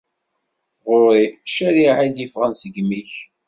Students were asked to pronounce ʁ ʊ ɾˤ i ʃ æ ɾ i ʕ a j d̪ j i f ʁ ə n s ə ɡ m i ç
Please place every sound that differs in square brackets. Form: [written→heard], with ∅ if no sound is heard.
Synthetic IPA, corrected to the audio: ʁ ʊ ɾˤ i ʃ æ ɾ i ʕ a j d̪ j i f ʁ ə n s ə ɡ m i ç